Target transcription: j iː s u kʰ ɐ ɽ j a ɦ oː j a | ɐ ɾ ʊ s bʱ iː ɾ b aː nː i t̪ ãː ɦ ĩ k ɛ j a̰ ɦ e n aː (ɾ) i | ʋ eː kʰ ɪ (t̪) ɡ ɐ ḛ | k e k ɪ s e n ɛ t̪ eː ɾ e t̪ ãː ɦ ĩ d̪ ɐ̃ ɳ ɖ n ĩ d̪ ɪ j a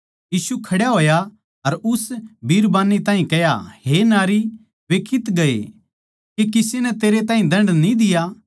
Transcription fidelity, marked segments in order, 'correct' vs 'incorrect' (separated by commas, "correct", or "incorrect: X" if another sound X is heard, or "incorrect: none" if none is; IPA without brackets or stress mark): correct, correct